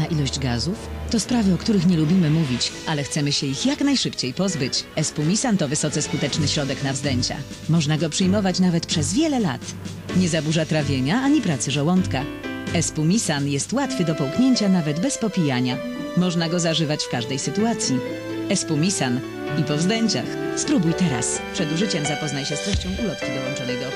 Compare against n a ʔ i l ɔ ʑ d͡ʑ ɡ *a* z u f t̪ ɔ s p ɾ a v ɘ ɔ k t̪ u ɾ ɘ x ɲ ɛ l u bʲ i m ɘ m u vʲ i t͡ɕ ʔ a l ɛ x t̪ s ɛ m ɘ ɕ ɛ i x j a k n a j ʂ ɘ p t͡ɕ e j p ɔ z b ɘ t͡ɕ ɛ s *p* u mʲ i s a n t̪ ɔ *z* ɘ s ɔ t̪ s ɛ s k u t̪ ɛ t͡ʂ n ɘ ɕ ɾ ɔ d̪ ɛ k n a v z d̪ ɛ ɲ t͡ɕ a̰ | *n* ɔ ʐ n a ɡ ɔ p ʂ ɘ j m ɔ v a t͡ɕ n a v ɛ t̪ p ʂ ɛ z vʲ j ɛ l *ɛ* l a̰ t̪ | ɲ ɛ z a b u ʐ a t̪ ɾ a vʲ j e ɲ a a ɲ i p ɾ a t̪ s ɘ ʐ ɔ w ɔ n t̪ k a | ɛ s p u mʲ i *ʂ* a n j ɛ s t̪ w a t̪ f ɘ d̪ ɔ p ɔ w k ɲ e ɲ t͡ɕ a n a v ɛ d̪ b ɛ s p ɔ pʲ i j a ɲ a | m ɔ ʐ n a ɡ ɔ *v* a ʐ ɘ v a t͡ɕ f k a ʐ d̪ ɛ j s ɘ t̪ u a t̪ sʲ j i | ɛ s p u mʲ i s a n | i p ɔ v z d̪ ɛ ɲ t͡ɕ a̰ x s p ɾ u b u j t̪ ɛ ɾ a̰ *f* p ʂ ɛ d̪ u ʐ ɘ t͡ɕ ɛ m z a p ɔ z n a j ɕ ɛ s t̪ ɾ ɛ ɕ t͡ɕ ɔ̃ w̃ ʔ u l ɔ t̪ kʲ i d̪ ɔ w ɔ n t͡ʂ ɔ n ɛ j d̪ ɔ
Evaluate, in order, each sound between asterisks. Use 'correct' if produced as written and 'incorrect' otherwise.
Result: correct, correct, incorrect, incorrect, correct, incorrect, incorrect, incorrect

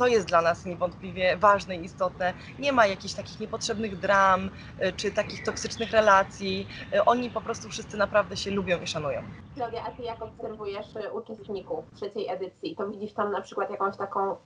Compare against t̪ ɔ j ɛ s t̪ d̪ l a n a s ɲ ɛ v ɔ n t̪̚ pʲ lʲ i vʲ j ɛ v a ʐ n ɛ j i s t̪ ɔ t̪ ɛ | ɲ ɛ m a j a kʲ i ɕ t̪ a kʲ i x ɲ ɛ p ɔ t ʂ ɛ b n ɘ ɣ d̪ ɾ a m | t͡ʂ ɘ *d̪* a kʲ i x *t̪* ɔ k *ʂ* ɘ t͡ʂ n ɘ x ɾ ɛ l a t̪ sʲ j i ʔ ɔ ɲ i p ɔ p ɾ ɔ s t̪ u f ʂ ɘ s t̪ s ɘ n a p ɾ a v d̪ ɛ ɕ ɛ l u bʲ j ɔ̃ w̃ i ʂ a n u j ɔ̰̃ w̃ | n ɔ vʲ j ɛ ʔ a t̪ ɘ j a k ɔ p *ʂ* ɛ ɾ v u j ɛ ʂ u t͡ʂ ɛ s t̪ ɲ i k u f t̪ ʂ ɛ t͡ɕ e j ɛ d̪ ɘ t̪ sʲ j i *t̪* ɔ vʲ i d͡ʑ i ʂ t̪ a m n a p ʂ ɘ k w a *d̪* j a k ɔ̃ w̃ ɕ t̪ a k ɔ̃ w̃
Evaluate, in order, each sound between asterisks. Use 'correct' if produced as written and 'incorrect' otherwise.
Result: incorrect, correct, incorrect, incorrect, correct, incorrect

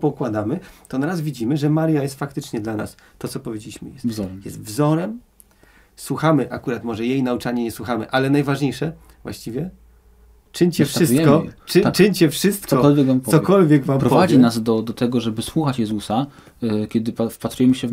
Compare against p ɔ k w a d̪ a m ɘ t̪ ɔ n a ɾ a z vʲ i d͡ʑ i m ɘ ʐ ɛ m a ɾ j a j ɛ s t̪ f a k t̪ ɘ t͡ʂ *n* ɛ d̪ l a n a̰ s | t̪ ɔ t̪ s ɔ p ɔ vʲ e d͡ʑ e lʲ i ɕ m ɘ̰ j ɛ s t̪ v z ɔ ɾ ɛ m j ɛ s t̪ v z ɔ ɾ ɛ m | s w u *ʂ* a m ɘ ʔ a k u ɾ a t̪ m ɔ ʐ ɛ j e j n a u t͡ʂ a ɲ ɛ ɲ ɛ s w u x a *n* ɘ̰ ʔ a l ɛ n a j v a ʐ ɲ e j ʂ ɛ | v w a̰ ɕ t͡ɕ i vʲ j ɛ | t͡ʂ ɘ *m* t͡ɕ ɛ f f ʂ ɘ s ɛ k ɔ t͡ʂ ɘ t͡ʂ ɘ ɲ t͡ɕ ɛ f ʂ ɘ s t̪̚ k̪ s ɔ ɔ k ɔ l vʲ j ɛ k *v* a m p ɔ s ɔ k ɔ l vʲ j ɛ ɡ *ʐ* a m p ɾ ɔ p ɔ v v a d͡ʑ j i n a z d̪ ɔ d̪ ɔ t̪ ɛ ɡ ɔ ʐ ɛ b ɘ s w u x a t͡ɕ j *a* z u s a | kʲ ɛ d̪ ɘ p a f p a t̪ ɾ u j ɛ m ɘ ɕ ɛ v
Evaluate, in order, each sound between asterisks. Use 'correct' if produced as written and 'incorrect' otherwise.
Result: incorrect, incorrect, incorrect, incorrect, correct, incorrect, incorrect

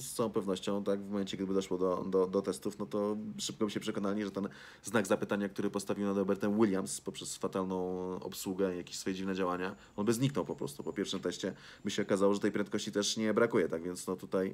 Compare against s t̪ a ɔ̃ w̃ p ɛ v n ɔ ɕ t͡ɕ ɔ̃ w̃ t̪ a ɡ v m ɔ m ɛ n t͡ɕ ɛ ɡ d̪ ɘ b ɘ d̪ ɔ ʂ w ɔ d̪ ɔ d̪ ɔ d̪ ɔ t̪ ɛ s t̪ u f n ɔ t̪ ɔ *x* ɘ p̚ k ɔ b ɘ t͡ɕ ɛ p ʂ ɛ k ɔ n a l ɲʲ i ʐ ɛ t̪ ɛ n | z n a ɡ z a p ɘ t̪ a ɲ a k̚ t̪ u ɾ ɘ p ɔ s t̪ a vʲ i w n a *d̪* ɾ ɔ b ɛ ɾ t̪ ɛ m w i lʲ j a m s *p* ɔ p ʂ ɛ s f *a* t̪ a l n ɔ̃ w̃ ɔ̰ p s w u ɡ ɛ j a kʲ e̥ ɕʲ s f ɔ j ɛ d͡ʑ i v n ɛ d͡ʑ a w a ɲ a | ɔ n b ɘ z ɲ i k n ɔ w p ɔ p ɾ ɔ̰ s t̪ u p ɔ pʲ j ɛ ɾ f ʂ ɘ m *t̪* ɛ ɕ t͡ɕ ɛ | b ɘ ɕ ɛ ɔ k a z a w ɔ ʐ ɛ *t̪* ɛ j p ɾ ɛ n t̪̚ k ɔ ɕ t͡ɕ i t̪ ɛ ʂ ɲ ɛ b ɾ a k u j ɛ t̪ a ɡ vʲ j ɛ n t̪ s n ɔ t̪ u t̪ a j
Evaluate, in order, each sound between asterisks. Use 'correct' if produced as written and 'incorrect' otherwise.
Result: incorrect, correct, correct, correct, correct, correct

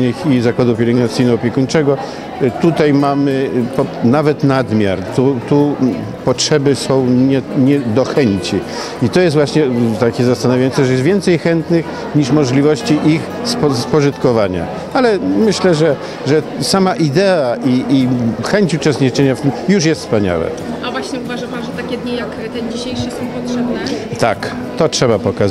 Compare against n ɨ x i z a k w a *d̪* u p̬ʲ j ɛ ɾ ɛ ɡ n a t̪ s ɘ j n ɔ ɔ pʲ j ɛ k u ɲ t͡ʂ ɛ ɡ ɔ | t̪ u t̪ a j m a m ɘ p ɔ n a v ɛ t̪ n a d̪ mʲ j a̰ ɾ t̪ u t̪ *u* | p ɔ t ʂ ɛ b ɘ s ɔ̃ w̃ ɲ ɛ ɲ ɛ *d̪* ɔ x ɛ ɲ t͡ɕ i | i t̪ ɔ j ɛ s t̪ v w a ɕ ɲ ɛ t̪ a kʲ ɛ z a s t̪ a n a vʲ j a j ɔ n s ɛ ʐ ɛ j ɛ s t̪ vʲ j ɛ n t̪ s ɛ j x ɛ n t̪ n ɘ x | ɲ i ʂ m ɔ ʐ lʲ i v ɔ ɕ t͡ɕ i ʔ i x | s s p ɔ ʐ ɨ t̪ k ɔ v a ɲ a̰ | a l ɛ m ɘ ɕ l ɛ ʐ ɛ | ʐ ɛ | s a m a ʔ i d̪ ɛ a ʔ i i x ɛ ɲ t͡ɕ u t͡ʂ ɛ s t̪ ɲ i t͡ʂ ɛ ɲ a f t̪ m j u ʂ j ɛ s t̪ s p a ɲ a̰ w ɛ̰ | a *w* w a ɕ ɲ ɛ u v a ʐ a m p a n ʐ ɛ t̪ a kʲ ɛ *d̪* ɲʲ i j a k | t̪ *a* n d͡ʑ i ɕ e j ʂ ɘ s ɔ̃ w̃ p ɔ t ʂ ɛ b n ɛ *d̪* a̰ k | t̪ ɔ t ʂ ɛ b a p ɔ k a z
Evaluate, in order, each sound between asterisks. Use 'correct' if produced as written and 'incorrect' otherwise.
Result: correct, correct, correct, incorrect, correct, incorrect, incorrect

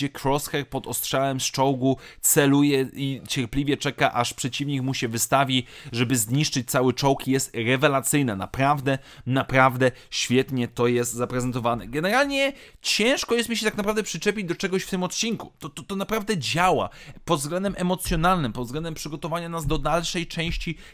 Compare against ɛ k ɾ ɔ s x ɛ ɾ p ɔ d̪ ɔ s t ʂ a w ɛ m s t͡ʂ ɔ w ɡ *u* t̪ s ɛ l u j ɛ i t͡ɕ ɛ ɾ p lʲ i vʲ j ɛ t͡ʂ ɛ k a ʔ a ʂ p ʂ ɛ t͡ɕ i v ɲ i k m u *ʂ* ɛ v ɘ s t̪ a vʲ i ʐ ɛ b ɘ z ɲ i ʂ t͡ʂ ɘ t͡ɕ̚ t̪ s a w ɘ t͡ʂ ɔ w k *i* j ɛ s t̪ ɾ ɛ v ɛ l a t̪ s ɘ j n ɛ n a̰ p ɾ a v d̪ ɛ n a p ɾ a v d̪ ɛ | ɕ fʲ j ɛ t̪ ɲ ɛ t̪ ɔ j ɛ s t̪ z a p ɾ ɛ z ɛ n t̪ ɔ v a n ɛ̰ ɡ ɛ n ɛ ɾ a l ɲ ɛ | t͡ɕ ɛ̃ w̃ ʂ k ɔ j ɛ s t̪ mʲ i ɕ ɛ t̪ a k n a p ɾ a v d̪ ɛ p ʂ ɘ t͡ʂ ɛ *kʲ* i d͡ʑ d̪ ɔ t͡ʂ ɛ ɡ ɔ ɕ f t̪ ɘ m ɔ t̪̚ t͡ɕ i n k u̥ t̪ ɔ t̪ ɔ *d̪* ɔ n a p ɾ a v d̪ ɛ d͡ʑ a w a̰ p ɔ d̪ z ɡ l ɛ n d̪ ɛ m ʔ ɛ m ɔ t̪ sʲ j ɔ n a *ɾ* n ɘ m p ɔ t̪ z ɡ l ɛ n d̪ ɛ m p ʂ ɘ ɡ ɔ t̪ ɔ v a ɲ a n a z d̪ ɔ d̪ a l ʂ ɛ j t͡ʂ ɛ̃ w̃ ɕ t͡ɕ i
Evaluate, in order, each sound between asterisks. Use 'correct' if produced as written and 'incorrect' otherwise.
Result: correct, incorrect, correct, incorrect, incorrect, incorrect

